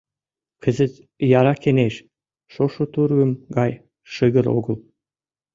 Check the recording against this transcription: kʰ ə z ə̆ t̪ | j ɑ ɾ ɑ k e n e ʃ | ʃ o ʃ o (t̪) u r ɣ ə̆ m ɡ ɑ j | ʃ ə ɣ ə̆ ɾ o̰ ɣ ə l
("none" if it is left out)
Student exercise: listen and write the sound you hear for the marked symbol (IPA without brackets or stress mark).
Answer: t̪